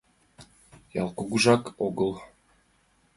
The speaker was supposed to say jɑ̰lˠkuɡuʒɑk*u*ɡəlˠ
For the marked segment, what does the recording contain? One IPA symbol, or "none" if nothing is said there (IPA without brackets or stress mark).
o